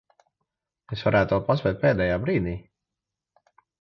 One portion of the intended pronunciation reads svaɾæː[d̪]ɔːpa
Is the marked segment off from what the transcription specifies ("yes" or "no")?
yes